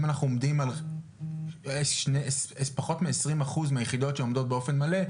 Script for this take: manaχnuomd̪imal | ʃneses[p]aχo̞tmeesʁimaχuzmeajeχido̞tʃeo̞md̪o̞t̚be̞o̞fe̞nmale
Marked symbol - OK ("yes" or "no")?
yes